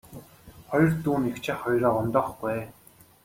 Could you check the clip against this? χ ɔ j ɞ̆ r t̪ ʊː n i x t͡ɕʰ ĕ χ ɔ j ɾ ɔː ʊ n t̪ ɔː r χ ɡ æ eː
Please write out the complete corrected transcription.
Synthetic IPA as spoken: χ ɔ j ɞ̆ r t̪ uː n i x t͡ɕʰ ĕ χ ɔ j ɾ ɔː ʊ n t̪ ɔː χ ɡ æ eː